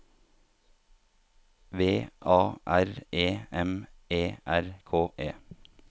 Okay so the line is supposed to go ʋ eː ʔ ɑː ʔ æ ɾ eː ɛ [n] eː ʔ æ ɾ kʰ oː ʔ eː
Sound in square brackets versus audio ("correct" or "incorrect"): incorrect